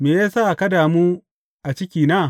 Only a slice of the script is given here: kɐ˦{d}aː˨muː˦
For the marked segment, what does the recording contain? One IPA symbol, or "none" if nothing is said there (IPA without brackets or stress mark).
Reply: d